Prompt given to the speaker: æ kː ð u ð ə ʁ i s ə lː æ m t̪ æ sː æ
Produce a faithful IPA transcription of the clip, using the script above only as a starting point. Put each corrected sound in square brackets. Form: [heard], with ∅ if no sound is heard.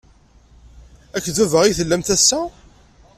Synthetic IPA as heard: æ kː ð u [v] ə ʁ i [θ] ə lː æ m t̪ æ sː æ